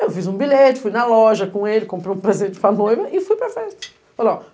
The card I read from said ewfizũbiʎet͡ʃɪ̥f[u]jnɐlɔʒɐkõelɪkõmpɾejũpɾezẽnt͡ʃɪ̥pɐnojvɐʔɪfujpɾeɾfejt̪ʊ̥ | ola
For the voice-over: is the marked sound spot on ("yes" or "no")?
yes